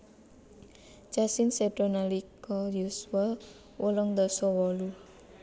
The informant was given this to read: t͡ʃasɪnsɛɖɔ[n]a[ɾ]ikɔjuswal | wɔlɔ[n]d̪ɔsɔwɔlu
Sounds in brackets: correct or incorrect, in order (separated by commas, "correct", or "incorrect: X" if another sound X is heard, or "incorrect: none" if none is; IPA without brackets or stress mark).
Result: correct, incorrect: l, incorrect: ŋ